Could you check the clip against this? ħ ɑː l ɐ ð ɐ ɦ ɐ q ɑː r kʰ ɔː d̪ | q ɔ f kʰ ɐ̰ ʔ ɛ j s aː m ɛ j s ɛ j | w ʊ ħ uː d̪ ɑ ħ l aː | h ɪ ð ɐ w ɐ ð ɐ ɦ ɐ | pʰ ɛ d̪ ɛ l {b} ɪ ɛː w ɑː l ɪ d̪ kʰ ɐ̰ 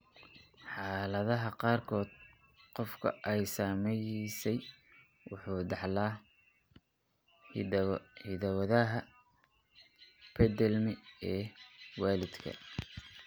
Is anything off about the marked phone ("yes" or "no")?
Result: yes